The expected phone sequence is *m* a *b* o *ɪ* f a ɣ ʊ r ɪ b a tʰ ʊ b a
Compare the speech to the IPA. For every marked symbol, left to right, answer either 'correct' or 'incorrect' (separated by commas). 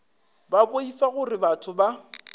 incorrect, correct, incorrect